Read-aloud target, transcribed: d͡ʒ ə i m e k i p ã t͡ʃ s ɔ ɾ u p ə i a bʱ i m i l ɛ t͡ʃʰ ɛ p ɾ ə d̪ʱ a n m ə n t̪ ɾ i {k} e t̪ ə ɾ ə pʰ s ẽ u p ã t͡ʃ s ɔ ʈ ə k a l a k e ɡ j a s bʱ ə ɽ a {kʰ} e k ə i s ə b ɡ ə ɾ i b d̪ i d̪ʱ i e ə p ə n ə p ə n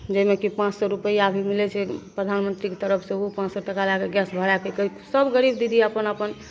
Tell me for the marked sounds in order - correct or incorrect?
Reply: correct, incorrect: k

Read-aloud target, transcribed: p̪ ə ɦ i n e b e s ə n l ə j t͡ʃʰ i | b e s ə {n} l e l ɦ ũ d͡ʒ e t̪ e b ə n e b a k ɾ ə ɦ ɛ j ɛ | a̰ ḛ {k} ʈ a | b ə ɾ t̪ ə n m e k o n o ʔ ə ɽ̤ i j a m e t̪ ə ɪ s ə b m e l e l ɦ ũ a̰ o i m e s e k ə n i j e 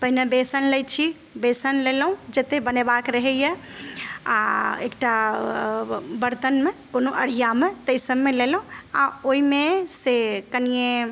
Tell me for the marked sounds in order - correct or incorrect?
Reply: correct, correct

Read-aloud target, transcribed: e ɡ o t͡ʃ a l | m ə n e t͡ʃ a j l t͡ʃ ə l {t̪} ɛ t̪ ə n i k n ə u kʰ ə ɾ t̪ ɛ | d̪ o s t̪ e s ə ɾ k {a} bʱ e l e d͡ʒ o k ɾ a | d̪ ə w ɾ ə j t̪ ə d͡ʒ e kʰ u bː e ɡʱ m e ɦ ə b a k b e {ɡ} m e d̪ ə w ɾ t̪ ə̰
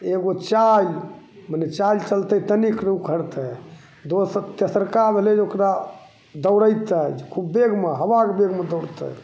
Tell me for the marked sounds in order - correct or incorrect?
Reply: correct, correct, correct

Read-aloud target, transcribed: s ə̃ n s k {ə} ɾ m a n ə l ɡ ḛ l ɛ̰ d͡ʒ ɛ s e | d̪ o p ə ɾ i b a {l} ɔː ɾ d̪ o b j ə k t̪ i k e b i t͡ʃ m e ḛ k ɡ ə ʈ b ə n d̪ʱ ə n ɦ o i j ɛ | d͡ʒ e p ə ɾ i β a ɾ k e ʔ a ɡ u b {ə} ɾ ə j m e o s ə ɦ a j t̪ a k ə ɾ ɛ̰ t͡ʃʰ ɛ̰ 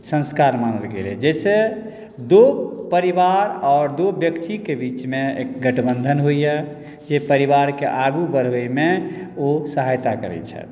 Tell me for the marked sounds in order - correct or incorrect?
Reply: incorrect: a, incorrect: ɾ, correct

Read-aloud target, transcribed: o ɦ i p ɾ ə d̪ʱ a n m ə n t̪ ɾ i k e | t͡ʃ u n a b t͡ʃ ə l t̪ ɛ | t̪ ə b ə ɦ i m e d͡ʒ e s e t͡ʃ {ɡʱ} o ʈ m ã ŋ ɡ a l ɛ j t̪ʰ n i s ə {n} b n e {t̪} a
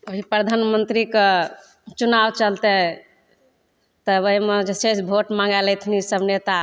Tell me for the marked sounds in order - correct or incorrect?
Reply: incorrect: bʱ, incorrect: none, correct

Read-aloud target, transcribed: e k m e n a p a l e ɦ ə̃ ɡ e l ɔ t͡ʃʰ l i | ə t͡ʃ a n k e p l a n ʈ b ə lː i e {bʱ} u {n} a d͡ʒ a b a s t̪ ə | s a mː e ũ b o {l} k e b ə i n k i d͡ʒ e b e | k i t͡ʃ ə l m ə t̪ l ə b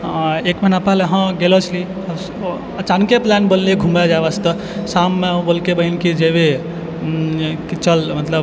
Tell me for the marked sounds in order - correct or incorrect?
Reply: incorrect: ɡʱ, incorrect: m, correct

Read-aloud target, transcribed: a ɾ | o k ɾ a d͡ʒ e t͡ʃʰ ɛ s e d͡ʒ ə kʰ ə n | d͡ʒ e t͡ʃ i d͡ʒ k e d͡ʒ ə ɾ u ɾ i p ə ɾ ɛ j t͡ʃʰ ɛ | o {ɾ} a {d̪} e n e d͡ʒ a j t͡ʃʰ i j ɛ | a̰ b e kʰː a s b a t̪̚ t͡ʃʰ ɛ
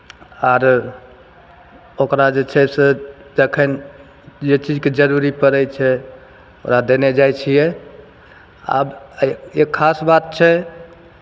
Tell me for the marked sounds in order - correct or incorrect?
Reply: correct, correct

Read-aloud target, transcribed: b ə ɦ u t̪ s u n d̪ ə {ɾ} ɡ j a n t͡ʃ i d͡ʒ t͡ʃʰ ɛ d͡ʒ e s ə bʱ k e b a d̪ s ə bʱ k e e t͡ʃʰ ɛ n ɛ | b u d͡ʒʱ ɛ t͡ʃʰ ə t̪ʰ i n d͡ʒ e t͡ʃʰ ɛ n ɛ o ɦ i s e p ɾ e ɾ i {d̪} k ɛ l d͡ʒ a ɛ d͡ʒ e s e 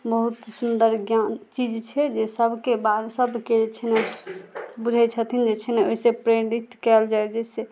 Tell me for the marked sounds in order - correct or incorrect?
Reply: correct, incorrect: t̪

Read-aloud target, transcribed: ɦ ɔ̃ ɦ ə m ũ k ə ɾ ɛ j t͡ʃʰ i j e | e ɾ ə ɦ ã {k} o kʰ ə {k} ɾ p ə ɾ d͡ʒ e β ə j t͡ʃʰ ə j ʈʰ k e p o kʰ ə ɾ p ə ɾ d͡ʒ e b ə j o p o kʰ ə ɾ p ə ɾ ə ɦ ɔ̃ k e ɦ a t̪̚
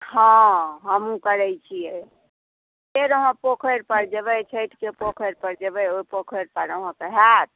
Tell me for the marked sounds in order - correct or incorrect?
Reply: incorrect: p, incorrect: none

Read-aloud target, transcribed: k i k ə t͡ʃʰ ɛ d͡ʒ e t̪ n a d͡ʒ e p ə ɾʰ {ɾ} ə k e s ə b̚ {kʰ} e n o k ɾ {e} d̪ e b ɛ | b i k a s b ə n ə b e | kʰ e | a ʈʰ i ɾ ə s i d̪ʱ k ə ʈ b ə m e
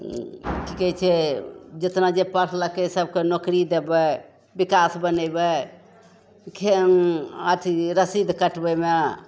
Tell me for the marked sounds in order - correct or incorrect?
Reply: incorrect: l, incorrect: k, incorrect: i

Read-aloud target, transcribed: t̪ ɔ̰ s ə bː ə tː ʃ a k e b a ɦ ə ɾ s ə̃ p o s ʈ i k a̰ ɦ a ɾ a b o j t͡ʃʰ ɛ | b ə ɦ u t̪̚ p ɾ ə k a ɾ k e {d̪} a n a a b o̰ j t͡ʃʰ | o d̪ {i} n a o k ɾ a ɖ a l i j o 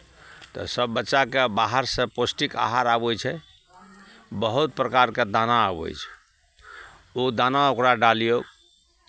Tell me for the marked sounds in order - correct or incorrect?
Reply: correct, incorrect: a

